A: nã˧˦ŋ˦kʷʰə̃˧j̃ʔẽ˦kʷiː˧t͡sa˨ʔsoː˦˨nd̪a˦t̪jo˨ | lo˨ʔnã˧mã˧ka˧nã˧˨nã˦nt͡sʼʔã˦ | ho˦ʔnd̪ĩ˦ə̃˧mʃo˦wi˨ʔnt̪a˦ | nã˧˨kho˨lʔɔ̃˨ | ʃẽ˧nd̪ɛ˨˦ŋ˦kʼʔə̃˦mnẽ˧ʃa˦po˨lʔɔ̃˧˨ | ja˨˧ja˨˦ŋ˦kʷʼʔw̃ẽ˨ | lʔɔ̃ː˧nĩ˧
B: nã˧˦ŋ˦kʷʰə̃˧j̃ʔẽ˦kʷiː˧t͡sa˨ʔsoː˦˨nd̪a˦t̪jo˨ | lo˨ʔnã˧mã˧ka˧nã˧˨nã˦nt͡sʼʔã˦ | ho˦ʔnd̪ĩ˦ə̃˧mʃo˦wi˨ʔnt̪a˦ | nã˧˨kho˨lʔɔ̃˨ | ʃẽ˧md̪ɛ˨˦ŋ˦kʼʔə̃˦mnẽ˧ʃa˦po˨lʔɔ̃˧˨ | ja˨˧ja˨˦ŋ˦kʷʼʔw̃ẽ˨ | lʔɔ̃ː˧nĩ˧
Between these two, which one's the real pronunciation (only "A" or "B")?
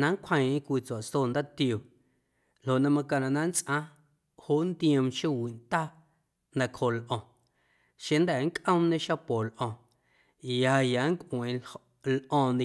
A